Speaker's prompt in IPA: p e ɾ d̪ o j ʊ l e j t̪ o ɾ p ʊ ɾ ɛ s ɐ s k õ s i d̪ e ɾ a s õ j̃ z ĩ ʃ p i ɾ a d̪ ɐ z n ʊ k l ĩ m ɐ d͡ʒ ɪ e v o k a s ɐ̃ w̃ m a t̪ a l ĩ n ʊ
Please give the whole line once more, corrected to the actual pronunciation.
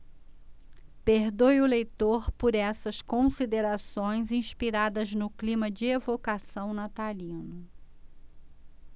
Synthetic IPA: p e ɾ d̪ o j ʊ l e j t̪ o ɾ p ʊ ɾ ɛ s ɐ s k õ s i d̪ e ɾ a s õ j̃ z ĩ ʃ p i ɾ a d̪ ɐ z n ʊ k l ĩ m ɐ d͡ʒ ɪ e v o k a s ɐ̃ w̃ n a t̪ a l ĩ n ʊ

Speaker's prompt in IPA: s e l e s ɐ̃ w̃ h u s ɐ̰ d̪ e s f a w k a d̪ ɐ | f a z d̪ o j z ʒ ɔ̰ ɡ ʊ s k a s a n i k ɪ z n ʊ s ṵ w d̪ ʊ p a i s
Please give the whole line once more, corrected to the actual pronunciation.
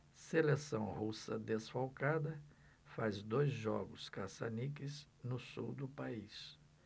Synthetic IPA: s e l e s ɐ̃ w̃ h u s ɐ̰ d̪ e s f a w k a d̪ ɐ | f a z d̪ o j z ʒ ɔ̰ ɡ ʊ s k a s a n i k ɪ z n ʊ s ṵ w d̪ ʊ p a i s

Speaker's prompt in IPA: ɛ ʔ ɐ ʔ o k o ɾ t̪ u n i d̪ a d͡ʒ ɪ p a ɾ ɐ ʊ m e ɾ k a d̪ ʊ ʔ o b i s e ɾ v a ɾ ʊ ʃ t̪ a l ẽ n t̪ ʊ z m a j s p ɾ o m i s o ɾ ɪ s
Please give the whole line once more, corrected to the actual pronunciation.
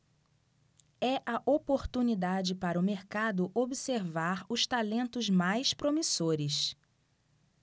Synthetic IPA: ɛ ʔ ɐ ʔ o p o ɾ t̪ u n i d̪ a d͡ʒ ɪ p a ɾ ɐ ʊ m e ɾ k a d̪ ʊ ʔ o b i s e ɾ v a ɾ ʊ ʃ t̪ a l ẽ n t̪ ʊ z m a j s p ɾ o m i s o ɾ ɪ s

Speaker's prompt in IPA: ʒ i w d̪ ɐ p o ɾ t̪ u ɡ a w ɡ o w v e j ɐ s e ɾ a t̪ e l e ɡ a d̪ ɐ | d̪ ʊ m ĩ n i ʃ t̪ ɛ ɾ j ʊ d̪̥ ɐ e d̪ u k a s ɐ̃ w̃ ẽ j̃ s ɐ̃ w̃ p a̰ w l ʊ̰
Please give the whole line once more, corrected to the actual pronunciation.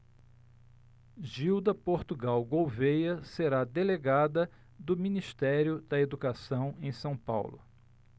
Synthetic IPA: ʒ i w d̪ ɐ p o ɾ t̪ u ɡ a w ɡ o w v e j ɐ s e ɾ a d̪ e l e ɡ a d̪ ɐ | d̪ ʊ m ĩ n i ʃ t̪ ɛ ɾ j ʊ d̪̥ ɐ e d̪ u k a s ɐ̃ w̃ ẽ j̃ s ɐ̃ w̃ p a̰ w l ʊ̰

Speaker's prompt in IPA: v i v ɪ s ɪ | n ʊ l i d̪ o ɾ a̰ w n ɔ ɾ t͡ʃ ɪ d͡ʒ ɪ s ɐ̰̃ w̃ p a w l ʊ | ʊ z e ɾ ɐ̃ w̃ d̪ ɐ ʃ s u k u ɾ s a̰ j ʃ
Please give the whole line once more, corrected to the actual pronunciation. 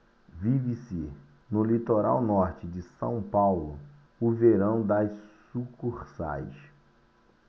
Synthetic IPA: v i v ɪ s ɪ | n ʊ l i t̪ o ɾ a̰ w n ɔ ɾ t͡ʃ ɪ d͡ʒ ɪ s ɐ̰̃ w̃ p a w l ʊ | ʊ v e ɾ ɐ̃ w̃ d̪ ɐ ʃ s u k u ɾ s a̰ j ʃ

